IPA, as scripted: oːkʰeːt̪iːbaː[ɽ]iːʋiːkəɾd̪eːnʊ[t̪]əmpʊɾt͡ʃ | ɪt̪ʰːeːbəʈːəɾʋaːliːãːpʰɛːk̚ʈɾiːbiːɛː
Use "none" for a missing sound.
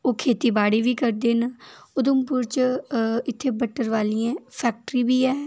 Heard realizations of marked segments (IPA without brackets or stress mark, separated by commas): ɽ, d̪